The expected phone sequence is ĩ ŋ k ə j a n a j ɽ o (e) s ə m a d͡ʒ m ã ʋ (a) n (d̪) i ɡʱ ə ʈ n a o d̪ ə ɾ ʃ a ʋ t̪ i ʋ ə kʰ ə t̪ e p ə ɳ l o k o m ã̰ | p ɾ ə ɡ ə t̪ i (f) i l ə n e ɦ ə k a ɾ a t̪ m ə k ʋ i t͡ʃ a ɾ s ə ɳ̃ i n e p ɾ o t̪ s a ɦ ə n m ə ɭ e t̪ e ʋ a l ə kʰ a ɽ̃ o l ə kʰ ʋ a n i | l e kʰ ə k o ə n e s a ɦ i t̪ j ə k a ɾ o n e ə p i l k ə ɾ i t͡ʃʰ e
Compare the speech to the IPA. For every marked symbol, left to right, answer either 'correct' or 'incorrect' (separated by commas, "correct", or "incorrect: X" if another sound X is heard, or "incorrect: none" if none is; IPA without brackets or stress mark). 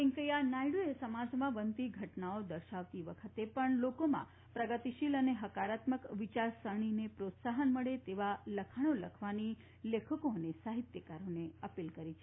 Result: correct, incorrect: ə, incorrect: t̪, incorrect: ʃ